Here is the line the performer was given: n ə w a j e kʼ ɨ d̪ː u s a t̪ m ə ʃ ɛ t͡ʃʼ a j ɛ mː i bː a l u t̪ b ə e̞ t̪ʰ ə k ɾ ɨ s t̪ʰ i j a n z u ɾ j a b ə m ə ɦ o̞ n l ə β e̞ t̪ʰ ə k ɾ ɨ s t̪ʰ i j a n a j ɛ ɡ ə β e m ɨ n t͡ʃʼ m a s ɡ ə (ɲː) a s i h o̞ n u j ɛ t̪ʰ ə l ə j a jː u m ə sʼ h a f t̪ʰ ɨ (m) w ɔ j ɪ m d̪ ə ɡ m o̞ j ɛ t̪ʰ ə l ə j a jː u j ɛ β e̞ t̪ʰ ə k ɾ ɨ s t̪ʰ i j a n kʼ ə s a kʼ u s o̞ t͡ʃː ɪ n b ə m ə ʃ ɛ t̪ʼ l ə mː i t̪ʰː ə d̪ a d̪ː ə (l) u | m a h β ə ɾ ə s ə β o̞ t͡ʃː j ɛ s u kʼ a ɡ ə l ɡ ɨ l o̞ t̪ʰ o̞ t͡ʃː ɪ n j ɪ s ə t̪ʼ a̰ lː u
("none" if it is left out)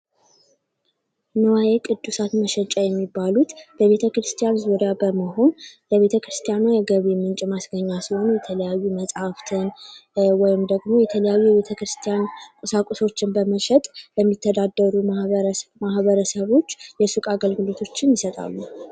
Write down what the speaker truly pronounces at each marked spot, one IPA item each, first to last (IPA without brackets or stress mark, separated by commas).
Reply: ɲː, n, ɾ